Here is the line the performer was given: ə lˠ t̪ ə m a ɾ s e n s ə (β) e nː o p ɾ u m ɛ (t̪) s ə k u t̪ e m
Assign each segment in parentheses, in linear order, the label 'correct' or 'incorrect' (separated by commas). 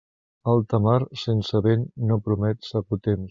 correct, correct